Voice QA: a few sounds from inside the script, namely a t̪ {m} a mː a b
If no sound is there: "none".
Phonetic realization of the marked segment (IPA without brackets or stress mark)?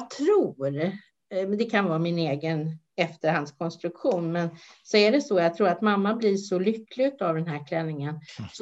m